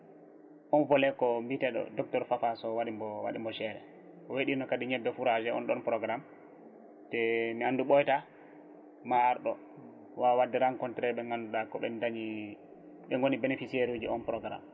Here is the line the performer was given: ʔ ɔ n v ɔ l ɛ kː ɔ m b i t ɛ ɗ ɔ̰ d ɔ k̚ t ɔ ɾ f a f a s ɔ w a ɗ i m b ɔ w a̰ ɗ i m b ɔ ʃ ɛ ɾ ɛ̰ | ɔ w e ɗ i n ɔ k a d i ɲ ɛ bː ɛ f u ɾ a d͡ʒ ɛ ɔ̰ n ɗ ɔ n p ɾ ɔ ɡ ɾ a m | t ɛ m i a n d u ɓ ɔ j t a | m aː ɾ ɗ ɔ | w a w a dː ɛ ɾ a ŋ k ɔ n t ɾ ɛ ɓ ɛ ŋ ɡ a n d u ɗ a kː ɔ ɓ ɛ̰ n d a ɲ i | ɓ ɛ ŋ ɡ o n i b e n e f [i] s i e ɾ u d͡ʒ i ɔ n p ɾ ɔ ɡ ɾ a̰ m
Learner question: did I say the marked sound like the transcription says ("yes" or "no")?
yes